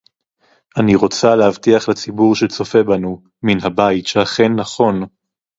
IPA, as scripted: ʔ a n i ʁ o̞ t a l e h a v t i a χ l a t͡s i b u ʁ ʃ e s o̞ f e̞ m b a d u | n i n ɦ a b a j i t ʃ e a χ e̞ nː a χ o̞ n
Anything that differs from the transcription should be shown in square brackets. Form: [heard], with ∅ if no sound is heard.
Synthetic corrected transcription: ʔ a n i ʁ o̞ [t͡s] a l e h a v t i a χ l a t͡s i b u ʁ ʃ e [t͡s] o̞ f e̞ [∅] b a [n] u | [m] i n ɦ a b a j i t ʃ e a χ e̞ nː a χ o̞ n